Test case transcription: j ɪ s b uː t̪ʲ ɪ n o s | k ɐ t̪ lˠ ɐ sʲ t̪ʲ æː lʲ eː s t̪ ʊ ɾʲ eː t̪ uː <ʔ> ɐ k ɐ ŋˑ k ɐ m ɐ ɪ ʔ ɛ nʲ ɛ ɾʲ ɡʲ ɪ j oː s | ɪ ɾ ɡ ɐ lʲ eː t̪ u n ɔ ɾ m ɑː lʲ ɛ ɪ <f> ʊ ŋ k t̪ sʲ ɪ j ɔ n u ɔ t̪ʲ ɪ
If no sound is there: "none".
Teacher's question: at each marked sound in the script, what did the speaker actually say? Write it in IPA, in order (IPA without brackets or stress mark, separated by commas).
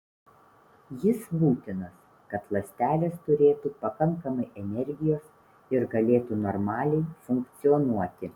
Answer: p, f